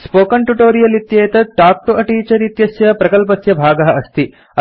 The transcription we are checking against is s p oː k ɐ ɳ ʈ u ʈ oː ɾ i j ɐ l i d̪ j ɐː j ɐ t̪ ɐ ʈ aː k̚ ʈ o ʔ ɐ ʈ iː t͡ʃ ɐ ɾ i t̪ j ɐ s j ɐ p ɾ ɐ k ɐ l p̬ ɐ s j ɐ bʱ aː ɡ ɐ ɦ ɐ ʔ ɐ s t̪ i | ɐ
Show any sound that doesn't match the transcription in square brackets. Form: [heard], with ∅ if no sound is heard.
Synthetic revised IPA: s p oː k ɐ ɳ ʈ u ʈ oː ɾ i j ɐ l i [t̪] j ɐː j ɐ t̪ ɐ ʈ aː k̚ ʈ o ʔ ɐ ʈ iː t͡ʃ ɐ ɾ i t̪ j ɐ s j ɐ p ɾ ɐ k ɐ l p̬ ɐ s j ɐ bʱ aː ɡ ɐ ɦ ɐ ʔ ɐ s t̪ i | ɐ